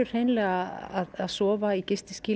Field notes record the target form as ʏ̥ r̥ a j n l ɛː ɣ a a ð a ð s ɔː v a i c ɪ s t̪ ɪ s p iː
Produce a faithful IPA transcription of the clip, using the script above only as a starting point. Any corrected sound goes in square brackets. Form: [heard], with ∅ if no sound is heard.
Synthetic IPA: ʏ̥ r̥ [e] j n l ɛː ɣ a a ð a ð s ɔː v a i c ɪ s t̪ ɪ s [c] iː